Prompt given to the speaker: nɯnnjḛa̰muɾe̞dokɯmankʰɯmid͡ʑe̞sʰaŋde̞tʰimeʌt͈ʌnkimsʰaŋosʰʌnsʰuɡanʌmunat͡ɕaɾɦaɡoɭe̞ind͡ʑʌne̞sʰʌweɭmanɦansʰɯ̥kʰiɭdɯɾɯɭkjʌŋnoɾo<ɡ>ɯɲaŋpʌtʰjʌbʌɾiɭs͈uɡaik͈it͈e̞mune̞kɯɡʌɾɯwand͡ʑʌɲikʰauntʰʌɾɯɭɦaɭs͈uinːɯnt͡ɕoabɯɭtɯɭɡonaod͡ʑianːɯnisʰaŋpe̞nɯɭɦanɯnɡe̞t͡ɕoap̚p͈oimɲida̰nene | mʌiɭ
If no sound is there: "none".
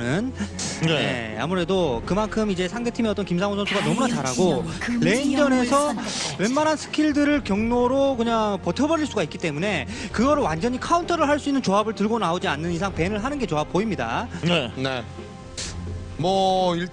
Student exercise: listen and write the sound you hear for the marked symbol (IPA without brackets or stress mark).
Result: k